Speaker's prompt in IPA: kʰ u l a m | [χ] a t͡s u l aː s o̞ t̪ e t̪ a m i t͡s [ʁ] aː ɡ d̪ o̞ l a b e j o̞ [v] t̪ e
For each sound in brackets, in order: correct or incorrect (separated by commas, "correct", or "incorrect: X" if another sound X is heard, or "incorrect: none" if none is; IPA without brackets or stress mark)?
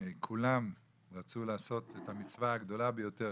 incorrect: ʁ, incorrect: v, incorrect: none